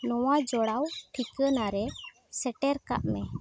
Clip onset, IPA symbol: n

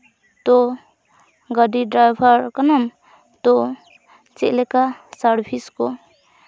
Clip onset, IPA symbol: t̪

